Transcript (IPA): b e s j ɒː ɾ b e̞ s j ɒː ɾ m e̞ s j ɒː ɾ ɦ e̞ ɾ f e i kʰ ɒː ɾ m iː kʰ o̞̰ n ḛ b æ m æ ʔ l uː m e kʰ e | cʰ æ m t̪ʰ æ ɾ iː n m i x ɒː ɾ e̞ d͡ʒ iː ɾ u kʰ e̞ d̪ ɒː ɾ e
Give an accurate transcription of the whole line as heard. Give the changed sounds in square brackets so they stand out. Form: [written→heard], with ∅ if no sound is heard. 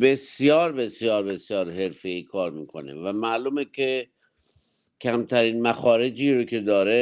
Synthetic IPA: b e s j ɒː ɾ b e̞ s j ɒː ɾ [m→b] e̞ s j ɒː ɾ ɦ e̞ ɾ f e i kʰ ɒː ɾ m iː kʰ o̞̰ n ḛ [b→v] æ m æ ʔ l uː m e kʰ e | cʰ æ m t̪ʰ æ ɾ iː n m [i→æ] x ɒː ɾ e̞ d͡ʒ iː ɾ [u→o] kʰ e̞ d̪ ɒː ɾ e